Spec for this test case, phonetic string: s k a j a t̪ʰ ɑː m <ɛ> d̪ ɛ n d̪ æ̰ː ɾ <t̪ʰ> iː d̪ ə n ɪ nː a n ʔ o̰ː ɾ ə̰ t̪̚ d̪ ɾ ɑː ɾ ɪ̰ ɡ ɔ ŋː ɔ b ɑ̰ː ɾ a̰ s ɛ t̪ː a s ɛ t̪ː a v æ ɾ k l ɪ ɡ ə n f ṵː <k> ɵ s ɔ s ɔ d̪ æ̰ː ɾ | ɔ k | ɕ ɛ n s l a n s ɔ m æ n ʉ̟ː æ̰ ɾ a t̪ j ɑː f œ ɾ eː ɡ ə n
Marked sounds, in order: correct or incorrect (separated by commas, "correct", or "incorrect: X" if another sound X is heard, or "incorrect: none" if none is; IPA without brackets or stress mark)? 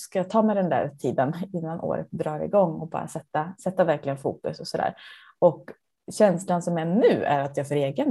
correct, correct, correct